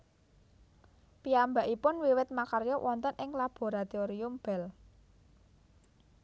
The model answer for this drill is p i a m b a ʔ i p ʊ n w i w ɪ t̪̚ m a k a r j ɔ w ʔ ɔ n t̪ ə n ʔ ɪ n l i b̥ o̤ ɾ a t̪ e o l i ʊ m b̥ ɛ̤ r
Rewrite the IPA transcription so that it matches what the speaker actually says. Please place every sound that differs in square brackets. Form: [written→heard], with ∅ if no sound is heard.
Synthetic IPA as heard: p i a m b a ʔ i p ʊ n w i w ɪ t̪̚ m a k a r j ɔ w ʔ ɔ n t̪ ə n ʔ ɪ [n→ŋ] l [i→a] b̥ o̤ ɾ a t̪ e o [l→ɾ] i ʊ m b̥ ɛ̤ [r→l]